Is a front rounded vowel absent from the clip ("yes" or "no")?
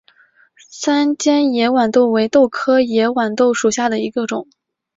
yes